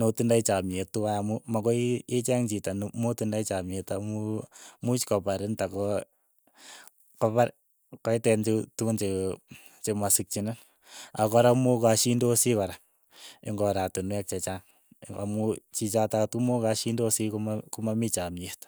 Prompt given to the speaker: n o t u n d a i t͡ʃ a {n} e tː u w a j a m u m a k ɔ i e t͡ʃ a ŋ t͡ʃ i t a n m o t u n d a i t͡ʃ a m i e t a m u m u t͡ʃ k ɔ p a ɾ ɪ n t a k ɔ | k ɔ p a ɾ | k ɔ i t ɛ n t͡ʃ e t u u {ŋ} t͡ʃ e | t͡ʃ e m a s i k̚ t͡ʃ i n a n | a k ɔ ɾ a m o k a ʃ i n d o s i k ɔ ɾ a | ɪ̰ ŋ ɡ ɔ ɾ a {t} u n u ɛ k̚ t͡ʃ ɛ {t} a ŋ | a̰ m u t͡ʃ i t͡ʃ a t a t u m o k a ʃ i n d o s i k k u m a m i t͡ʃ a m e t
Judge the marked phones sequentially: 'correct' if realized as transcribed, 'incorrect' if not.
incorrect: m, incorrect: n, correct, incorrect: t͡ʃ

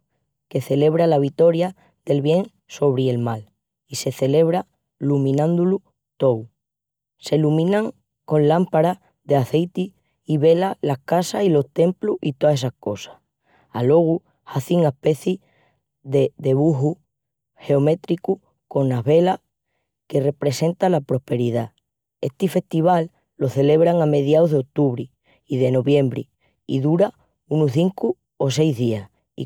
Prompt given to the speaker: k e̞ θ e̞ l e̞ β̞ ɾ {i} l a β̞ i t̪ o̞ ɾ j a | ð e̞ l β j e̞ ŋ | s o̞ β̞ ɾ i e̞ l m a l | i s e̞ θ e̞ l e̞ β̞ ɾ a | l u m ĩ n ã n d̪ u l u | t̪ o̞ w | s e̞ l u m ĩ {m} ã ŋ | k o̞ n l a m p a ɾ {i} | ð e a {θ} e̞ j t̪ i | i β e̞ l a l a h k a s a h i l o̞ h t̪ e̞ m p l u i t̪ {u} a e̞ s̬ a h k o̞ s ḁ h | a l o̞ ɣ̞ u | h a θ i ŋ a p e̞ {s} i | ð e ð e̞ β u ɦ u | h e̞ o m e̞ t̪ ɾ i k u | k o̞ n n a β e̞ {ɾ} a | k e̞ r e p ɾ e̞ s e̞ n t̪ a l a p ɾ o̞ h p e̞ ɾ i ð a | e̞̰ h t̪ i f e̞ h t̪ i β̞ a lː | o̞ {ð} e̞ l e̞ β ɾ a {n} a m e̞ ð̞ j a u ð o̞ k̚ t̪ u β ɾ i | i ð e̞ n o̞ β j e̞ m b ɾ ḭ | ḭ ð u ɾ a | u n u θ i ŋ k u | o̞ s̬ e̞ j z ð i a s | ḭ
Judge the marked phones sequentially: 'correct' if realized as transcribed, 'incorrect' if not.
incorrect: a, incorrect: n, incorrect: a, correct, incorrect: o, incorrect: θ, incorrect: l, incorrect: θ, incorrect: ŋ

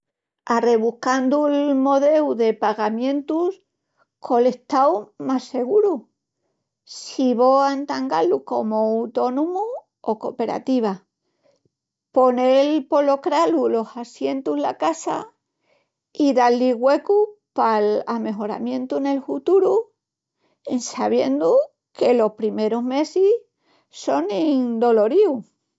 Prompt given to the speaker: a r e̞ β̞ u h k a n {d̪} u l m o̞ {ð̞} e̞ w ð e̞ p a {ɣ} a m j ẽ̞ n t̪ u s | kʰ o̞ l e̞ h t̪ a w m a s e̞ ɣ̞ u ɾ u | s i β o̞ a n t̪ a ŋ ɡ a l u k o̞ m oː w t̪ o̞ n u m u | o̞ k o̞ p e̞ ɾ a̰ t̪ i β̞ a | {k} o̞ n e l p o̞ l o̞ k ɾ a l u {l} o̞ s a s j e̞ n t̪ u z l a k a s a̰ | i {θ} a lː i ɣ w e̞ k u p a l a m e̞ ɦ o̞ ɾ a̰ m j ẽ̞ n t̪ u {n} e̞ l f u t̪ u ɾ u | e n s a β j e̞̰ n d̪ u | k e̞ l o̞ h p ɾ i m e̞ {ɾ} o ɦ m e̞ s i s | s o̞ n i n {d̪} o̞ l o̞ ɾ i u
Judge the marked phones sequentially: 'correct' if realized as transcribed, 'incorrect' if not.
correct, correct, correct, incorrect: p, correct, incorrect: ð, correct, correct, correct

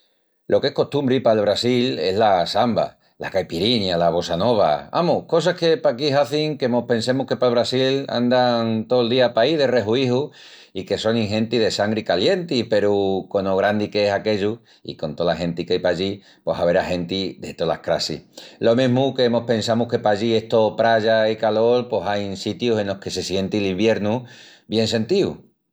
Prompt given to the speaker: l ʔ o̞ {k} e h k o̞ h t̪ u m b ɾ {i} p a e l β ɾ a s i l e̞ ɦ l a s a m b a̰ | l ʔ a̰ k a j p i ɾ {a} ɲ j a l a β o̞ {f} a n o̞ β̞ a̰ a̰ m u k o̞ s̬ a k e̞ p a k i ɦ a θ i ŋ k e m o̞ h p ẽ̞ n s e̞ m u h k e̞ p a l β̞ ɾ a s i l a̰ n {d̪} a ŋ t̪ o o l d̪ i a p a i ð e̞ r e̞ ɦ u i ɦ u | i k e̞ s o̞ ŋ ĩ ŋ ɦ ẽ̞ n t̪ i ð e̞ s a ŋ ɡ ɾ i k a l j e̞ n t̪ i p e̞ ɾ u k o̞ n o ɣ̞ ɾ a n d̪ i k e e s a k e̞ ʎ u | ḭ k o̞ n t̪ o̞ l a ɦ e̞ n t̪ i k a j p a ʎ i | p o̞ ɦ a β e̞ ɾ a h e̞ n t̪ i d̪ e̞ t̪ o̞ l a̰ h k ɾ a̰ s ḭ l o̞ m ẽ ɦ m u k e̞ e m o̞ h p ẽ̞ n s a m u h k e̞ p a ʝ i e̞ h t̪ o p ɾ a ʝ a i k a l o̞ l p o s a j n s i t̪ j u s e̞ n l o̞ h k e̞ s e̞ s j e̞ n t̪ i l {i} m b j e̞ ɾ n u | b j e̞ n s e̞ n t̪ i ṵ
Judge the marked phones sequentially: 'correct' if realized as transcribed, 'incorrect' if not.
correct, correct, incorrect: i, incorrect: s, correct, correct

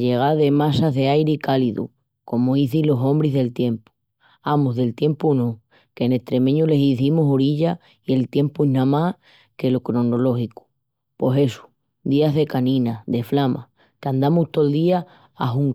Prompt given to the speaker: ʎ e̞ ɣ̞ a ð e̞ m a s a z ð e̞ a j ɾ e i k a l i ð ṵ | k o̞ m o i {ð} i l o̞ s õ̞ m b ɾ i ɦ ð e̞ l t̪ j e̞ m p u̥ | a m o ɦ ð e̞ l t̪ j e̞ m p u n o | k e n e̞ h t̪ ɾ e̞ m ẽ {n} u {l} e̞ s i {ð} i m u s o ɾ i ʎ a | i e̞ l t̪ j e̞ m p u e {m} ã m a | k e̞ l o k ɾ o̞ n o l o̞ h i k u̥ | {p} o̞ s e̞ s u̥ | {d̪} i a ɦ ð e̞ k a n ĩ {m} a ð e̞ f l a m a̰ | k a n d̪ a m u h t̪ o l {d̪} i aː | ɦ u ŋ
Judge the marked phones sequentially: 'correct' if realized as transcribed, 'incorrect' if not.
incorrect: θ, incorrect: ɲ, correct, incorrect: θ, incorrect: n, correct, correct, incorrect: n, correct

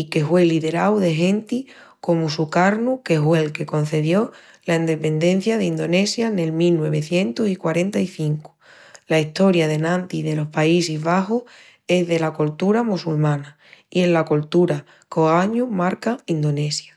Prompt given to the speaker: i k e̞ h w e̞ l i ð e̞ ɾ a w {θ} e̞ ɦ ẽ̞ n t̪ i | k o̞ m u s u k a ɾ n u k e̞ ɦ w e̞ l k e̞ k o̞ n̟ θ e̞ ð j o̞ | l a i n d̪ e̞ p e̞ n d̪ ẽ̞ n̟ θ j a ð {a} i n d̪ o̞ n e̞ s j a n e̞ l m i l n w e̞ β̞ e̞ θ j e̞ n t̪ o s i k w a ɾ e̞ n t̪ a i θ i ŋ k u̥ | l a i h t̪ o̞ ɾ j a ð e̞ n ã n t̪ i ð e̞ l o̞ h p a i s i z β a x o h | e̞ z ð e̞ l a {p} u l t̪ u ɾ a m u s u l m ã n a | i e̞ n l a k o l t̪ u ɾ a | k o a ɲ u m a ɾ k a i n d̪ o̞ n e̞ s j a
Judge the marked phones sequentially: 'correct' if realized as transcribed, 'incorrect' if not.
incorrect: ð, incorrect: e, incorrect: k

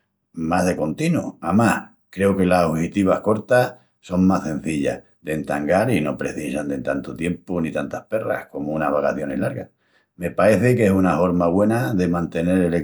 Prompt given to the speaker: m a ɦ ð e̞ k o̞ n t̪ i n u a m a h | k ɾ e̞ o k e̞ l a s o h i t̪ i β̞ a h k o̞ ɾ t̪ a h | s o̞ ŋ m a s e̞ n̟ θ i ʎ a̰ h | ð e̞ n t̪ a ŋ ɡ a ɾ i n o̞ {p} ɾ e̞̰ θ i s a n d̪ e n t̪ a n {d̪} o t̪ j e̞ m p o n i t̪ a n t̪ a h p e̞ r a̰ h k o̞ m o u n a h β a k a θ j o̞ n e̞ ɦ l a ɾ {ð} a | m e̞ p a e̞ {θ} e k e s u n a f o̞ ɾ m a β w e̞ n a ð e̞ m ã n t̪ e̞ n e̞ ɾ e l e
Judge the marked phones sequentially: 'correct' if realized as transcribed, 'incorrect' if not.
correct, incorrect: t̪, incorrect: ɣ, correct

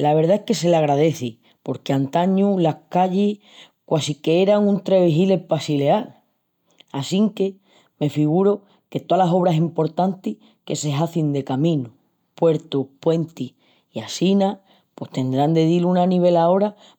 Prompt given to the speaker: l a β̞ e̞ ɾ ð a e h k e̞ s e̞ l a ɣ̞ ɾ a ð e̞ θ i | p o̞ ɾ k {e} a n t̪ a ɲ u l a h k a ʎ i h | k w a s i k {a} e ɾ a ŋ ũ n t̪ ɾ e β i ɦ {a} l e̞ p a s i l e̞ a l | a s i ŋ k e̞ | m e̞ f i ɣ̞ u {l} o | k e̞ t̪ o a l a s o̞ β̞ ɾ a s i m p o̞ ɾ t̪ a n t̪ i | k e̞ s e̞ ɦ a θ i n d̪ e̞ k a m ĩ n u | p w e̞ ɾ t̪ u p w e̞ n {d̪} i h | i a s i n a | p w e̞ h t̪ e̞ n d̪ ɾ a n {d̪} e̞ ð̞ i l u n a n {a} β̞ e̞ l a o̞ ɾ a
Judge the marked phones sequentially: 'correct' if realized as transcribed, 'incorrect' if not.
correct, incorrect: e, incorrect: i, incorrect: ɾ, incorrect: t̪, correct, incorrect: i

